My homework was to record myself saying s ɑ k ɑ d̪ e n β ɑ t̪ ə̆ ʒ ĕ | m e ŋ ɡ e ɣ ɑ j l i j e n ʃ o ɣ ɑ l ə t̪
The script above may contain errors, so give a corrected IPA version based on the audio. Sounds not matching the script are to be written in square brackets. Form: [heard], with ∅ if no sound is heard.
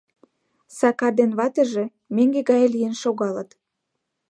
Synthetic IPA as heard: s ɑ k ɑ d̪ e n β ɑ t̪ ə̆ ʒ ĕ | m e ŋ ɡ e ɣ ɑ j l i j e n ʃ o ɣ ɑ l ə t̪